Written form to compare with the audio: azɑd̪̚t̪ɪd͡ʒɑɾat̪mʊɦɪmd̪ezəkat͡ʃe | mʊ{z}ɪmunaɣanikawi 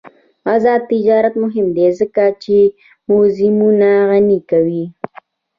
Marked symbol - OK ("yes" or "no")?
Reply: yes